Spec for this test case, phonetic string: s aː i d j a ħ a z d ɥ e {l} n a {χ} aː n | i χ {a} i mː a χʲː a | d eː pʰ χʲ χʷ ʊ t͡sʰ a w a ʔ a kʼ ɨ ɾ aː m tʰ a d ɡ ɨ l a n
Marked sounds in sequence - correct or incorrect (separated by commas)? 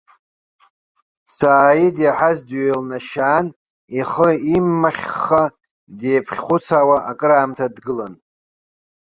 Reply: correct, incorrect, incorrect